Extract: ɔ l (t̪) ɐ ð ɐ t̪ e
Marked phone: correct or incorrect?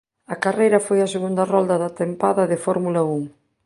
incorrect